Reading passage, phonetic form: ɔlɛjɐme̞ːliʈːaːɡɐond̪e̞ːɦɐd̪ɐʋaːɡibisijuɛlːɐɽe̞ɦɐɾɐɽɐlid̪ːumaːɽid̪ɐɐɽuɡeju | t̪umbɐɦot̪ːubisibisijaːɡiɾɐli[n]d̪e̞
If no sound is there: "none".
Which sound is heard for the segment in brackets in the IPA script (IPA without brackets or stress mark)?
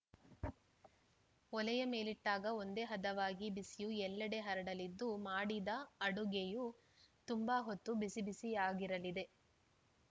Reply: none